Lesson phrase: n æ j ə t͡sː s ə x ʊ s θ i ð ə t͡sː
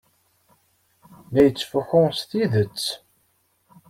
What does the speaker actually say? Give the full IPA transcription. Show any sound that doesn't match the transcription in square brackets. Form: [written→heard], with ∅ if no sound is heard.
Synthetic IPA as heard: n æ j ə t͡sː [s→f] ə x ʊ s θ i ð ə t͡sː